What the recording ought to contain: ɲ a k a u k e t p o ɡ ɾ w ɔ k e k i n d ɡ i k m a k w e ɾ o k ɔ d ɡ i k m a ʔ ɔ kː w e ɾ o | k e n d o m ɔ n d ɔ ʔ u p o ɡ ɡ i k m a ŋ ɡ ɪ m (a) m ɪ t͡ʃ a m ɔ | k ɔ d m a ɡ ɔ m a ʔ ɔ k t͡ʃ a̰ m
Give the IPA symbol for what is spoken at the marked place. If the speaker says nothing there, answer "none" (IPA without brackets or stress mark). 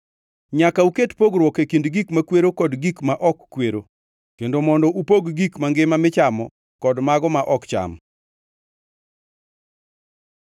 a